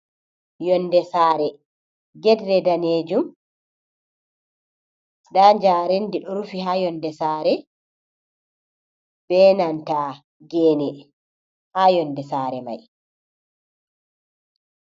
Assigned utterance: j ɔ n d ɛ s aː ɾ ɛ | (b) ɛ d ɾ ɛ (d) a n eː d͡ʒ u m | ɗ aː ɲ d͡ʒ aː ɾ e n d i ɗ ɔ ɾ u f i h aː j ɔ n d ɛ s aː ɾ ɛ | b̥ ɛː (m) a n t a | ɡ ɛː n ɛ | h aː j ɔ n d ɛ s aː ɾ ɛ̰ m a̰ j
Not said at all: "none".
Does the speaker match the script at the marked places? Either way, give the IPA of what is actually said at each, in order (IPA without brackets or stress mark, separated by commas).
ɡ, d, n